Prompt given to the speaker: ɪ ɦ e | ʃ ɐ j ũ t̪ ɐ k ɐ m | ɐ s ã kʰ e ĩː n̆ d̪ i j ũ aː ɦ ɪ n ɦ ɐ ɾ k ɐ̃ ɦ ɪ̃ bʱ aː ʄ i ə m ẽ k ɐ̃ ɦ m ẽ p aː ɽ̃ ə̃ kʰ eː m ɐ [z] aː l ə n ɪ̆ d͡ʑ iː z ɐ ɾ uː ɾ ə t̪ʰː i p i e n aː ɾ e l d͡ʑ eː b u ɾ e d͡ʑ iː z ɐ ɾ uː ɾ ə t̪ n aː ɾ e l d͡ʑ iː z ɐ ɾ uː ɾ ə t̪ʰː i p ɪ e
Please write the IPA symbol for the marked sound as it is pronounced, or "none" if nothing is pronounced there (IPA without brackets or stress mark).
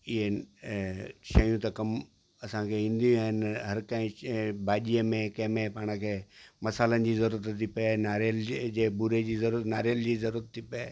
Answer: s